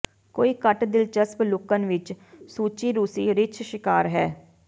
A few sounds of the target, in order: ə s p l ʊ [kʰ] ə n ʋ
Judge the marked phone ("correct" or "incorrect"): incorrect